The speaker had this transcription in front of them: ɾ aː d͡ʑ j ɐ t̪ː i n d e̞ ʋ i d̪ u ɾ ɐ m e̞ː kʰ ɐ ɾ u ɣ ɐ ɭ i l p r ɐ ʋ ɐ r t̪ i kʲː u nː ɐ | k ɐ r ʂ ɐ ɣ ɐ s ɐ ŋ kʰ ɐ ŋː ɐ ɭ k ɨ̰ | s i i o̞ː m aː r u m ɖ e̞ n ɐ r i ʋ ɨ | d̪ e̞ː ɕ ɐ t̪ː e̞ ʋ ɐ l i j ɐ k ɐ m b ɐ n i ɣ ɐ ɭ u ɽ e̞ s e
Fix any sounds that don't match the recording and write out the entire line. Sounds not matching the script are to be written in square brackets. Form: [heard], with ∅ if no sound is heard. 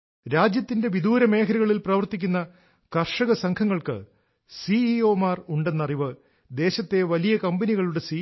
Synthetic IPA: ɾ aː d͡ʑ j ɐ t̪ː i n d e̞ ʋ i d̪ [uː] ɾ ɐ m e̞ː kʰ ɐ ɾ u ɣ ɐ ɭ i l p r ɐ ʋ ɐ r t̪ i kʲː u nː ɐ | k ɐ r ʂ ɐ ɣ ɐ s ɐ ŋ kʰ ɐ ŋː ɐ ɭ k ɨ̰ | s i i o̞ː m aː r u [ɳ] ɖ e̞ [nː] ɐ r i ʋ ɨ | d̪ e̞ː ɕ ɐ t̪ː e̞ ʋ ɐ l i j ɐ k ɐ m b ɐ n i ɣ ɐ ɭ u ɽ e̞ s [i]